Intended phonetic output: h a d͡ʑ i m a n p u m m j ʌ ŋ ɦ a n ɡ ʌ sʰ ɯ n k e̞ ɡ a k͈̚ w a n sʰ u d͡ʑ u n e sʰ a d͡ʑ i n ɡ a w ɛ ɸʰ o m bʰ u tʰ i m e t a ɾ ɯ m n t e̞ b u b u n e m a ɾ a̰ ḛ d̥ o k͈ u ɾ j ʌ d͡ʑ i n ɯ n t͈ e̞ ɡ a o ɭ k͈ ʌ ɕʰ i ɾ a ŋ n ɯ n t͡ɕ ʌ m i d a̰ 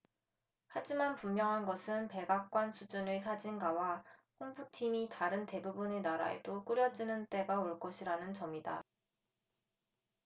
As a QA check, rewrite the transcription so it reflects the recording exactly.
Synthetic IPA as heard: h a d͡ʑ i m a n p u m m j ʌ ŋ ɦ a n ɡ ʌ sʰ ɯ n p e̞ ɡ a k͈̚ w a n sʰ u d͡ʑ u n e sʰ a d͡ʑ i n ɡ a w a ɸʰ o ŋ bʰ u tʰ i m i t a ɾ ɯ n t e̞ b u b u n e n a ɾ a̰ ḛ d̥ o k͈ u ɾ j ʌ d͡ʑ i n ɯ n t͈ e̞ ɡ a o ɭ k͈ ʌ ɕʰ i ɾ a n ɯ n t͡ɕ ʌ m i d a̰